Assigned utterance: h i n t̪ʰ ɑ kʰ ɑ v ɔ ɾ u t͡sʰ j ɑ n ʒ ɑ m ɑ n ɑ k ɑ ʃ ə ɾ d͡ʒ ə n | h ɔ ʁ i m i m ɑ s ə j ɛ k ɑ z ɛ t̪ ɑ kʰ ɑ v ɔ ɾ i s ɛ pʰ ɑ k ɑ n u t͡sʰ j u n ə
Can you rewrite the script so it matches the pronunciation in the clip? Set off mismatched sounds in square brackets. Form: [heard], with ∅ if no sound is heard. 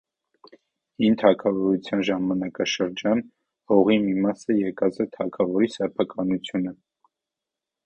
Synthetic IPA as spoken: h i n t̪ʰ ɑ kʰ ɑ v ɔ ɾ u t͡sʰ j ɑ n ʒ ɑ m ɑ n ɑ k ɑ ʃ ə ɾ d͡ʒ [ɑ] n | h ɔ ʁ i m i m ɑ s ə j ɛ k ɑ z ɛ [t̪ʰ] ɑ kʰ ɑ v ɔ ɾ i s ɛ pʰ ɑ k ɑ n u t͡sʰ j u n ə